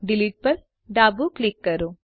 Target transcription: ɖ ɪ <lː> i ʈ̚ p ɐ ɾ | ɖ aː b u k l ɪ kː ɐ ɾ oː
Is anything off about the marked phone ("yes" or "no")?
yes